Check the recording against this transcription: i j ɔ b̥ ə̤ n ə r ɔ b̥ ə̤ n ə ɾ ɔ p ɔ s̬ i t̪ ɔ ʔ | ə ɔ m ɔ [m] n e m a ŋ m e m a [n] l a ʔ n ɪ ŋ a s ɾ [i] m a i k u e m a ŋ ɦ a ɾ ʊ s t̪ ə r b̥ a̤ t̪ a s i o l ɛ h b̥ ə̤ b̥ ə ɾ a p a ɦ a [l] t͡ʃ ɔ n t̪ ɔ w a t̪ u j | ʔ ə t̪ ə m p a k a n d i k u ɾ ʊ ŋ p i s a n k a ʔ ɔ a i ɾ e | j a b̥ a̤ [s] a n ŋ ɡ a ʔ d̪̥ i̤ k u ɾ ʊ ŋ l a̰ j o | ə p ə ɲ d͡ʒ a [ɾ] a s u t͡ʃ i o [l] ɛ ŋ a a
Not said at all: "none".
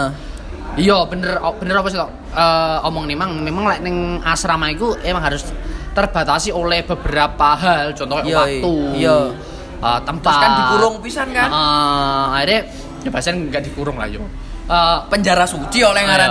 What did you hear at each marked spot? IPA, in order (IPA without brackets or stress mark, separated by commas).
ŋ, ŋ, a, l, s, ɾ, l